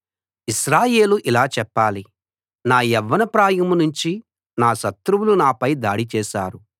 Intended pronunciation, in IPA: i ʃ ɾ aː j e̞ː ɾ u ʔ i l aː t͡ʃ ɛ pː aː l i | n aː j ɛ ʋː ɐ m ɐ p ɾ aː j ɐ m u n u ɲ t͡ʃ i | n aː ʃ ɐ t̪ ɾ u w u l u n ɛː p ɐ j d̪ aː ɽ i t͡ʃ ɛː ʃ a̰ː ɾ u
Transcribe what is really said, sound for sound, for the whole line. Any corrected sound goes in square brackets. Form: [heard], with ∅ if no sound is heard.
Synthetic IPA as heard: i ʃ ɾ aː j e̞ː [l] u ʔ i l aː t͡ʃ ɛ pː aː l i | n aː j ɛ ʋː ɐ [n] ɐ p ɾ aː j ɐ m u n u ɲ t͡ʃ i | n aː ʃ ɐ t̪ ɾ u w u l u n [aː] p ɐ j d̪ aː ɽ i t͡ʃ ɛː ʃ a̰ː ɾ u